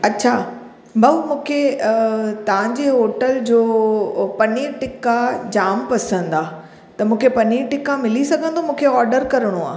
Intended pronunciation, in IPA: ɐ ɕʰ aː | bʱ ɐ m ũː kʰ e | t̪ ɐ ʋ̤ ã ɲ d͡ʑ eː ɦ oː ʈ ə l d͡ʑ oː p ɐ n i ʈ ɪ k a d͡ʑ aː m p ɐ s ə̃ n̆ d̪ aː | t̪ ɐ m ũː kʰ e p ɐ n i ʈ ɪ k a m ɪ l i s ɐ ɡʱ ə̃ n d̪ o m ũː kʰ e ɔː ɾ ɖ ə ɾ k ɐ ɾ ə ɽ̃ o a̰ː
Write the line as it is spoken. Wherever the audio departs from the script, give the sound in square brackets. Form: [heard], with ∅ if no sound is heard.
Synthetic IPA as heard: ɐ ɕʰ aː | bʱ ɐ m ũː kʰ e | t̪ ɐ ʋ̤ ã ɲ d͡ʑ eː ɦ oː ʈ ə l d͡ʑ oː p ɐ n i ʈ ɪ k a d͡ʑ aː m p ɐ s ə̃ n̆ d̪ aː | t̪ ɐ m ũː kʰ e p ɐ n i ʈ ɪ k a m ɪ l i s ɐ ɡʱ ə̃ n d̪ o m ũː kʰ e ɔː ɾ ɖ ə ɾ k ɐ ɾ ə ɽ̃ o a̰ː